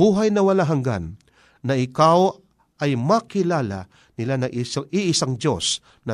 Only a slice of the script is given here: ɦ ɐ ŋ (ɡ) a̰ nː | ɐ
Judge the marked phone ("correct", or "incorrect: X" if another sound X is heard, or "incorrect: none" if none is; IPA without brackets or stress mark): correct